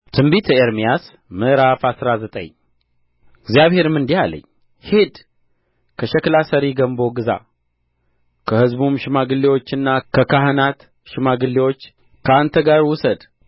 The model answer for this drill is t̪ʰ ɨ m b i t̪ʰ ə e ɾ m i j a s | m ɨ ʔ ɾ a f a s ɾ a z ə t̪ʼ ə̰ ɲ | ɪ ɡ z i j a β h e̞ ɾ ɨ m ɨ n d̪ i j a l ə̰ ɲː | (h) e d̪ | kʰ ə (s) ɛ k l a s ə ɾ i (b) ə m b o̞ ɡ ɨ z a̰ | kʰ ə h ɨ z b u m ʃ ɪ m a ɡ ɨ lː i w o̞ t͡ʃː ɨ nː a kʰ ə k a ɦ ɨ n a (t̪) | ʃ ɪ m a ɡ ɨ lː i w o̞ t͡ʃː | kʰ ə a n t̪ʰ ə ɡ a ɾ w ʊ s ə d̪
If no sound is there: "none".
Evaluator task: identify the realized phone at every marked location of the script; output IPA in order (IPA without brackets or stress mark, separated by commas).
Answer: h, ʃ, ɡ, t̪